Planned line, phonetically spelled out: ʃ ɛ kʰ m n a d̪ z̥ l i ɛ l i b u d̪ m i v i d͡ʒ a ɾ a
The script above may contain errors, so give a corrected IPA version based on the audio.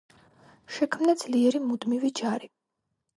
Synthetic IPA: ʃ ɛ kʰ m n a d̪ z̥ l i ɛ ɾ i m u d̪ m i v i d͡ʒ a ɾ i